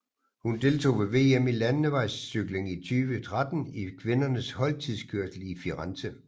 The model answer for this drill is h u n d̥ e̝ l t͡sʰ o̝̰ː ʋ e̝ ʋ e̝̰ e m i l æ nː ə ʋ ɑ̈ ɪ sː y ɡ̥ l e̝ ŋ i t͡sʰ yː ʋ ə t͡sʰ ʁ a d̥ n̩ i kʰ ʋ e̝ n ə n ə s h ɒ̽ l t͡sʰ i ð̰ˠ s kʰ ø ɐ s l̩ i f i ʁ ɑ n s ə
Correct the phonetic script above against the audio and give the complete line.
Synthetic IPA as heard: h u n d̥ e̝ l t͡sʰ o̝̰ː ʋ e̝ ʋ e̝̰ e m i l æ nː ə ʋ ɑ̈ ɪ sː y ɡ̥ l e̝ ŋ i t͡sʰ yː ʋ ə t͡sʰ ʁ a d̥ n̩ i kʰ ʋ e̝ n ɐ n ə s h ɒ̽ l t͡sʰ i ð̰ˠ s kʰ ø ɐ s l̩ i f i ʁ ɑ n s ə